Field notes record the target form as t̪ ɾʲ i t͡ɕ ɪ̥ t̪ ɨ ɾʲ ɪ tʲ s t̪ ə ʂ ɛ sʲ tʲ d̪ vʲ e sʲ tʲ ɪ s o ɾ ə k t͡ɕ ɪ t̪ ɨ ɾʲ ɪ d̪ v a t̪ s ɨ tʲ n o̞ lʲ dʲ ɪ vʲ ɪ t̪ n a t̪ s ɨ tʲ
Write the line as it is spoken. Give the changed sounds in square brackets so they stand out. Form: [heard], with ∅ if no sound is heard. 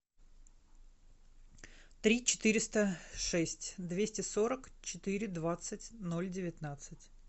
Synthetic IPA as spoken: t̪ ɾʲ i t͡ɕ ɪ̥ t̪ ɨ ɾʲ ɪ [∅] s t̪ ə ʂ ɛ sʲ tʲ d̪ vʲ e sʲ tʲ ɪ s o ɾ ə k t͡ɕ ɪ t̪ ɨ ɾʲ ɪ d̪ v a t̪ s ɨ tʲ n o̞ lʲ dʲ ɪ vʲ ɪ t̪ n a t̪ s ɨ tʲ